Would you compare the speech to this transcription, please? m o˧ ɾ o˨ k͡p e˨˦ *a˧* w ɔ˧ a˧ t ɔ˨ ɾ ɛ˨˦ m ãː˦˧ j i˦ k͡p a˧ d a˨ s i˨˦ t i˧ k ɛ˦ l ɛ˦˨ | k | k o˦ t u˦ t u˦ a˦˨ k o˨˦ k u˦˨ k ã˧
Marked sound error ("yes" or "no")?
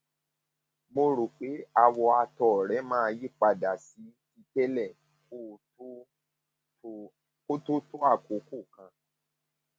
no